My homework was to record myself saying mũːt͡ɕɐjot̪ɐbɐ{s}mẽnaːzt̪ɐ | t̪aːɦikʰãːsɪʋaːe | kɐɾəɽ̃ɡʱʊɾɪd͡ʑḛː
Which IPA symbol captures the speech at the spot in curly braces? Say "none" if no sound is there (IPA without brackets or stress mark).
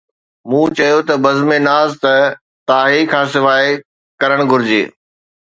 z